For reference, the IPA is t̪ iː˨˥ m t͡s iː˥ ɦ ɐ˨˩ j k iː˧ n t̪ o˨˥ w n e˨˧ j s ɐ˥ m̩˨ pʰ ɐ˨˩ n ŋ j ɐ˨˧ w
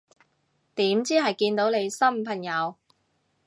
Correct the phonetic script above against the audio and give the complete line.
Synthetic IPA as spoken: t̪ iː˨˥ m t͡s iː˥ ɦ ɐ˨˩ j k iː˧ n t̪ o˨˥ w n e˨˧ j s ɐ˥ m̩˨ pʰ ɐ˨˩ ŋ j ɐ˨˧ w

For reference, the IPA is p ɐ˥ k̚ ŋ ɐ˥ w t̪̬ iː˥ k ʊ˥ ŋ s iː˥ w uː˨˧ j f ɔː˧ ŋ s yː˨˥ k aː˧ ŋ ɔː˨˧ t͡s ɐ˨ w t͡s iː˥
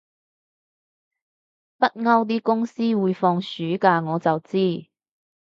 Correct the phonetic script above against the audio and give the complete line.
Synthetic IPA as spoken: p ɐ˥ t̚ ŋ ɐ˥ w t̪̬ iː˥ k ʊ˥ ŋ s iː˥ w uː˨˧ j f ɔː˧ ŋ s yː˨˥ k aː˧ ŋ ɔː˨˧ t͡s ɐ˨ w t͡s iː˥

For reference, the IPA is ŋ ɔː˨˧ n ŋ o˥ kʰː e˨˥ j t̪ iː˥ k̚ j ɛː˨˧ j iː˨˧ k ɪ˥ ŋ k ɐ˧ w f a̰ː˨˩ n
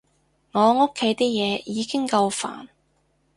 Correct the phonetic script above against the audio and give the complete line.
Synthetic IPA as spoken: ŋ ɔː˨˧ ŋ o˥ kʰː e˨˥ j t̪ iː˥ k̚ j ɛː˨˧ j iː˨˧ k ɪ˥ ŋ k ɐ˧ w f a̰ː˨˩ n

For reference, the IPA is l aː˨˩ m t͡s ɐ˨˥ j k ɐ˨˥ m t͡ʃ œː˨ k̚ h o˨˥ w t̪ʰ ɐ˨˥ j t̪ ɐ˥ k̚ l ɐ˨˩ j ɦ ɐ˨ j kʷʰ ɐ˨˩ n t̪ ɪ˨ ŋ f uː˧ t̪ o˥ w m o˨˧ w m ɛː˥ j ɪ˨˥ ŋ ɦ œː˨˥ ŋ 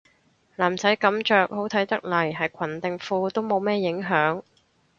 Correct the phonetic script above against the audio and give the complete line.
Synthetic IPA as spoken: l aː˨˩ m t͡s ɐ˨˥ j k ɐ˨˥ m t͡ʃ œː˨ k̚ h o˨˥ w t̪ʰ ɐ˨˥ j t̪ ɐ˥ k̚ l ɐ˨˩ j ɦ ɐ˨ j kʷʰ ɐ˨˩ n t̪ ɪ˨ ŋ f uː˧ t̪ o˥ w m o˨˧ w m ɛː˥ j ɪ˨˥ ŋ ɦ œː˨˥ ŋ

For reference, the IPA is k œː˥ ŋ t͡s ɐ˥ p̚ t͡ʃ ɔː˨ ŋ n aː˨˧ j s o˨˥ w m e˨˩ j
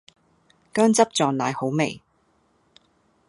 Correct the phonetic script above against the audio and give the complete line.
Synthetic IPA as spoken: k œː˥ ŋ t͡s ɐ˥ p̚ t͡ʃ ɔː˨ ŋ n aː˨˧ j h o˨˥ w m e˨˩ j

